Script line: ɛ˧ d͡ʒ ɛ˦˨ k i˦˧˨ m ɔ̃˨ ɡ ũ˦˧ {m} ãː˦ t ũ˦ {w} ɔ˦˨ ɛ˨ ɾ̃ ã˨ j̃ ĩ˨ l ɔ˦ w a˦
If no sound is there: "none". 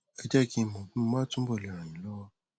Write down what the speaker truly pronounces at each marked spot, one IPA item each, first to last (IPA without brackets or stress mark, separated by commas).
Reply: m, b